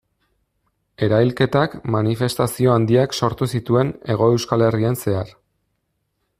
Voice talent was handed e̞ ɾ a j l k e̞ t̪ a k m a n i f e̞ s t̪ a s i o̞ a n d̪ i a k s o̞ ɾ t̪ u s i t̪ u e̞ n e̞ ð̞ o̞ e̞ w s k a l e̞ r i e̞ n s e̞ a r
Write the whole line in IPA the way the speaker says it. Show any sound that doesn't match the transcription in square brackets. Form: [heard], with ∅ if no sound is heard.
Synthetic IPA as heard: e̞ ɾ a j l k e̞ t̪ a k m a n i f e̞ s t̪ a s i o̞ a n d̪ i a k s o̞ ɾ t̪ u s i t̪ u e̞ n e̞ [ɣ̞] o̞ e̞ w s k a l e̞ r i e̞ n s e̞ a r